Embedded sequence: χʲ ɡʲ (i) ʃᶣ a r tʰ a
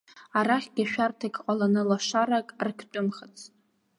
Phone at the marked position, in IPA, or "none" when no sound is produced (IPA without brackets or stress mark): a